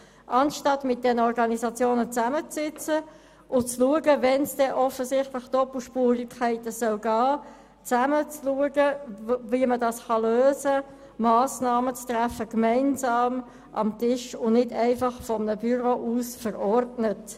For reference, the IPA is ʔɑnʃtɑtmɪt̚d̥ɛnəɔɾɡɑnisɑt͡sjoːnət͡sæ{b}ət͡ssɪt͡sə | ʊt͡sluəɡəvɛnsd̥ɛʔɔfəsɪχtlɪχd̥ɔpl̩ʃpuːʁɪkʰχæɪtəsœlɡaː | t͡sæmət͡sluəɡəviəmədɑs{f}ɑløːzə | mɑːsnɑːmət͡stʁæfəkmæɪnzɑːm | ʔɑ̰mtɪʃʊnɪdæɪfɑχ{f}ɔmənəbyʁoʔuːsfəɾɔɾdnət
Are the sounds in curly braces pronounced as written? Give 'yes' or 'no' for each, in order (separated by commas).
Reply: no, no, yes